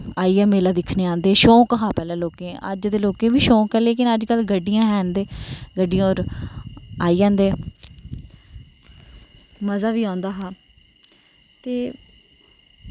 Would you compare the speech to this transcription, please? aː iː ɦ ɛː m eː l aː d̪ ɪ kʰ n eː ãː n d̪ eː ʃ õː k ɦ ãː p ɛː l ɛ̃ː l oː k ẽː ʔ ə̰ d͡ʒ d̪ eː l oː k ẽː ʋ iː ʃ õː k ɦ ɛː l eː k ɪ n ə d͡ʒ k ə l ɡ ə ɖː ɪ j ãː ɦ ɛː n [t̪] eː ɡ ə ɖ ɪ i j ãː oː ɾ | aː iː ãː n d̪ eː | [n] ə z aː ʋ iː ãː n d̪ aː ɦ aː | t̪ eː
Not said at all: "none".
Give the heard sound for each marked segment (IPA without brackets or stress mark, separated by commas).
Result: d̪, m